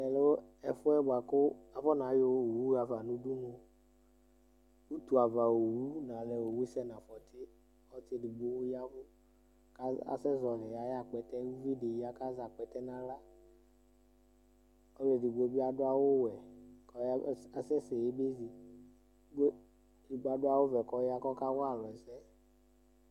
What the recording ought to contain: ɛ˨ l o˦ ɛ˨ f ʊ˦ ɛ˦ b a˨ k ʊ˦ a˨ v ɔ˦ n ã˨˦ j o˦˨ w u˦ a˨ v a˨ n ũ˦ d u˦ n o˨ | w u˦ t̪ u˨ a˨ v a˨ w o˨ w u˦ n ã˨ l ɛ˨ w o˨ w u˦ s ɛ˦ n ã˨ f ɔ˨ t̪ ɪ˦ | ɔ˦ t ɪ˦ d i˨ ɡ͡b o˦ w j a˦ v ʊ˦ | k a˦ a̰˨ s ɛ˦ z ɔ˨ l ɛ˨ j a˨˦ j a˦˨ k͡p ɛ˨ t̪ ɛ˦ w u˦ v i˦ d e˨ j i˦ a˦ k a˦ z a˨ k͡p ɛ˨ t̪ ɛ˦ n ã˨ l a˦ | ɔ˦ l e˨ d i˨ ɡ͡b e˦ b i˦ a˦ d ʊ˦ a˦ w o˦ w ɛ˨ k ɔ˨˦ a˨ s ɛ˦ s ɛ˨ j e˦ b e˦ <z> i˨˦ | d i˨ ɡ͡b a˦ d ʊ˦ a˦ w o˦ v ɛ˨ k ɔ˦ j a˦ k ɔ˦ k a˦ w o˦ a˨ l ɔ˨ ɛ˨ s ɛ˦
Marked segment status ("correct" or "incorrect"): correct